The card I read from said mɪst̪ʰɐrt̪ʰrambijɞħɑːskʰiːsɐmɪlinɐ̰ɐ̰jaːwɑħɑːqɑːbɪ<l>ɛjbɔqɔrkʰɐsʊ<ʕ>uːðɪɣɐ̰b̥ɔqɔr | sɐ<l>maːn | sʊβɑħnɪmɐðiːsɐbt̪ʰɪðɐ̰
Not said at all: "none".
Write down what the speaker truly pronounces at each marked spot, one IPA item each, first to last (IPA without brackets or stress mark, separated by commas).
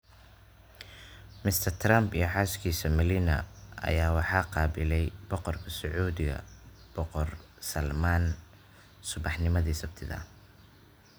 l, ʕ, l